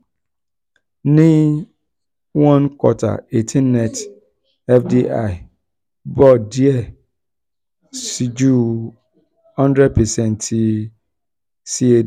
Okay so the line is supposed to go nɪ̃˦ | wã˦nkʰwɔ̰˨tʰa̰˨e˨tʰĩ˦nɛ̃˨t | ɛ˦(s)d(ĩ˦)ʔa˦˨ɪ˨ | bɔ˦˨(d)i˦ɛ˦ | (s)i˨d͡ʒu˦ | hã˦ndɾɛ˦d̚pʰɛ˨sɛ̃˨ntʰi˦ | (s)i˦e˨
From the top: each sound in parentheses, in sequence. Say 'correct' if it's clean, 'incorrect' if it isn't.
incorrect: f, incorrect: i˦, correct, correct, correct

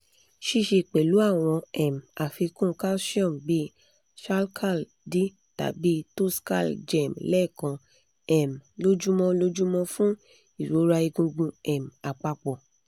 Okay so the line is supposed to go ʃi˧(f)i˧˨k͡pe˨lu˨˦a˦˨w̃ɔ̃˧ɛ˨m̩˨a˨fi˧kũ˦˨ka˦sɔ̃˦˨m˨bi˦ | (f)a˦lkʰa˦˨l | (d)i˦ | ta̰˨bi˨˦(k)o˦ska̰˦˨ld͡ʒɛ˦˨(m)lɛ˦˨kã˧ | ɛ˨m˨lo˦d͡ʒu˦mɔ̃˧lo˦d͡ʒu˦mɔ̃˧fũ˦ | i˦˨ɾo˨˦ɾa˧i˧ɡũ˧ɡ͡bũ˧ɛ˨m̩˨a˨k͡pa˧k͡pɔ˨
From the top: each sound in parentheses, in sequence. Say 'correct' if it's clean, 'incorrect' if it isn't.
incorrect: ʃ, incorrect: ʃ, correct, incorrect: t, correct

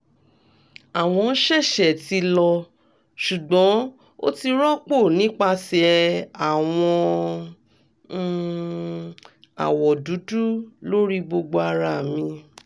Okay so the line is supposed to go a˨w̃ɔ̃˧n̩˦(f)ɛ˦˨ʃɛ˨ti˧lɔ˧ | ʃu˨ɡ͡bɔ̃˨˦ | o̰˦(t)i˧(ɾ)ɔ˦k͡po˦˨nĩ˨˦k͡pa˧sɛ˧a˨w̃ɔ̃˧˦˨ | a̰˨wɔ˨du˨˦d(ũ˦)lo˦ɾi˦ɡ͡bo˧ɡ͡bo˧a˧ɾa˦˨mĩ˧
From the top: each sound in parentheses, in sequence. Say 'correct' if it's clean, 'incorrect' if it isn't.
incorrect: ʃ, correct, correct, incorrect: u˦

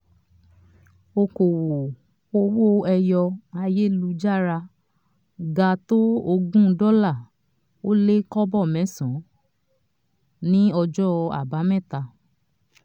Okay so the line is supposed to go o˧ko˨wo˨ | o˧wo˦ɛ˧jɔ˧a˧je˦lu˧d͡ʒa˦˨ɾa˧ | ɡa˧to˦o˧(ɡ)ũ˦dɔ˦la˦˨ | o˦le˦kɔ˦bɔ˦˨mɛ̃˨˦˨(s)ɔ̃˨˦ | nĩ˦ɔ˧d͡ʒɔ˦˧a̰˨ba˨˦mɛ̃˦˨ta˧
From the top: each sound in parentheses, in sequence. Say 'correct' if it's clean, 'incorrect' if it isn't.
correct, correct

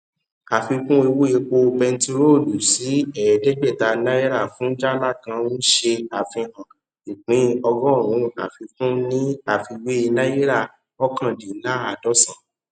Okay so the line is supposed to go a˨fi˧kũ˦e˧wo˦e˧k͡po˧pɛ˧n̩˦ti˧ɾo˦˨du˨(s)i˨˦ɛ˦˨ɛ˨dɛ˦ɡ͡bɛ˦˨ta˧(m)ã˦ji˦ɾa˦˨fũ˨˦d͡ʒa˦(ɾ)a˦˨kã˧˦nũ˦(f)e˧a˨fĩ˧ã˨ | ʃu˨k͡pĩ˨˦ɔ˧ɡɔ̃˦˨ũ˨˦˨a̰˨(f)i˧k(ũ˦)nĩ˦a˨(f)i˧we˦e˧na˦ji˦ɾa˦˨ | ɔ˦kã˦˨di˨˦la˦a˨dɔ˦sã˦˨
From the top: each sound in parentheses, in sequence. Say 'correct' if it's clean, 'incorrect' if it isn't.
correct, incorrect: n, incorrect: l, incorrect: ʃ, correct, correct, correct

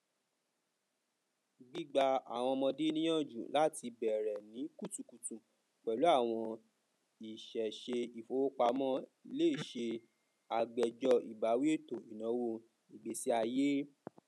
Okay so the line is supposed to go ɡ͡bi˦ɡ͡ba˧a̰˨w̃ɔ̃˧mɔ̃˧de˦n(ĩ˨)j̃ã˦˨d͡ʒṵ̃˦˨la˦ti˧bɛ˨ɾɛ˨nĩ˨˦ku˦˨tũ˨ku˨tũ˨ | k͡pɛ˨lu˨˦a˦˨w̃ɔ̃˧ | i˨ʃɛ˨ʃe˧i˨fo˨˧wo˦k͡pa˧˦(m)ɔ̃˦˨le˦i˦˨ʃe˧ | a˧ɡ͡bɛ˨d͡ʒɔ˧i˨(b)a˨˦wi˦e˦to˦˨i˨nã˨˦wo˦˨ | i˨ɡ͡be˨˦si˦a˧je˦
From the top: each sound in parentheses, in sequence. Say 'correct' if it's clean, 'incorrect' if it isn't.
incorrect: ĩ˦, correct, correct

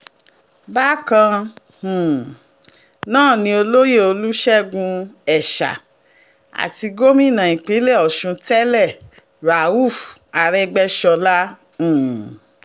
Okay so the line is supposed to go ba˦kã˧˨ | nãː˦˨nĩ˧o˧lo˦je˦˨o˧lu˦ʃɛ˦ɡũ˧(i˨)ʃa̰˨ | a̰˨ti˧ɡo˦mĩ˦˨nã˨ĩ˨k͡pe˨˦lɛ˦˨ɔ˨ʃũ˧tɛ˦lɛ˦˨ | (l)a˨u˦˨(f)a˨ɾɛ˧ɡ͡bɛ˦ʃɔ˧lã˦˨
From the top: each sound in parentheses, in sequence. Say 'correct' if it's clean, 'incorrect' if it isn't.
incorrect: ɛ˨, incorrect: ɾ, correct

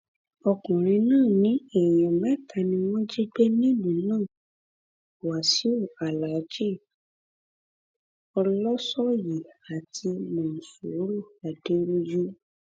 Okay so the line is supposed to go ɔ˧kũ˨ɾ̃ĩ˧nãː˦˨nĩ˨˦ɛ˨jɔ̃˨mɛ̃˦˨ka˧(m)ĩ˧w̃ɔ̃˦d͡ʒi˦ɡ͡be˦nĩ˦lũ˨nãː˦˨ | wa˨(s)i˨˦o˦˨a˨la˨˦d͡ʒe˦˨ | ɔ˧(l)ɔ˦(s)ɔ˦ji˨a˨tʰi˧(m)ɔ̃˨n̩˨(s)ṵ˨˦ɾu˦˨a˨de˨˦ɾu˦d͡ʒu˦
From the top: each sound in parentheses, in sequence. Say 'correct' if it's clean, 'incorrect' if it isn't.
incorrect: n, correct, correct, correct, correct, correct

